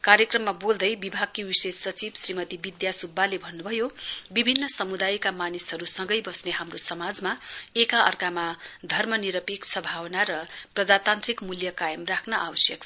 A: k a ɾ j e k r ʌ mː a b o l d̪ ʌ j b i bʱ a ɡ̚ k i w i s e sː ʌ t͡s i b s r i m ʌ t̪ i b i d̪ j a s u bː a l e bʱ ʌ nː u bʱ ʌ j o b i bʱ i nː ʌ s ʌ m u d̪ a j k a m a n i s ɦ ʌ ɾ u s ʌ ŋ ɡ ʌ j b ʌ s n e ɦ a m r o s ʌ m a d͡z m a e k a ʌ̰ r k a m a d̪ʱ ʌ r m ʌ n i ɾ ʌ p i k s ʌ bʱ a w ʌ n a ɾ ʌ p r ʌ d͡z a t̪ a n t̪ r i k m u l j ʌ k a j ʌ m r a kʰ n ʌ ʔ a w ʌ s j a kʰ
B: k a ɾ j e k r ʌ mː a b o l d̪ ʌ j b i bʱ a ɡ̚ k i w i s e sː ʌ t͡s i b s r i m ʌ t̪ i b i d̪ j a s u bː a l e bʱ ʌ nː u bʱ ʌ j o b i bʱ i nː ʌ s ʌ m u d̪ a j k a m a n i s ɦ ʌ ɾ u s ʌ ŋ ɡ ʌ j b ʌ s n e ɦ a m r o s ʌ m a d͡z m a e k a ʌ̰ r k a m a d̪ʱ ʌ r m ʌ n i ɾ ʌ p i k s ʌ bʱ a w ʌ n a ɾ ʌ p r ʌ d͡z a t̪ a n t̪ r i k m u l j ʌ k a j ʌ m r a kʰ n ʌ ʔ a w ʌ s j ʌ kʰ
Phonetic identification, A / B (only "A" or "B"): B